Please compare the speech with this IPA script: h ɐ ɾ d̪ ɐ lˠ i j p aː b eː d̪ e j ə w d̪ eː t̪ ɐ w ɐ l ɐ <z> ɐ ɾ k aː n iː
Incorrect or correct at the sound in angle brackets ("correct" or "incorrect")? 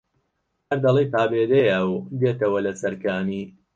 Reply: incorrect